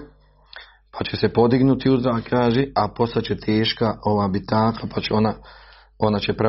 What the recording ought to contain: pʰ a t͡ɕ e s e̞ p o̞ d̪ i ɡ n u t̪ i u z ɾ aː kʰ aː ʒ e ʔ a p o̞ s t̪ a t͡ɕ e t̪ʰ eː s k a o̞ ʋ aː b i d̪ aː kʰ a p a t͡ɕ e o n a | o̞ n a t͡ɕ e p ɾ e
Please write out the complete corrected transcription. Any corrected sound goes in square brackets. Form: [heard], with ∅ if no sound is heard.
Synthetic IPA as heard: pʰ a t͡ɕ e s e̞ p o̞ d̪ i ɡ n u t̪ i u z ɾ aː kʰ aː ʒ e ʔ a p o̞ s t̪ a t͡ɕ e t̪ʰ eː [ʃ] k a o̞ ʋ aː b i [t̪] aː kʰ a p a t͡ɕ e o n a | o̞ n a t͡ɕ e p ɾ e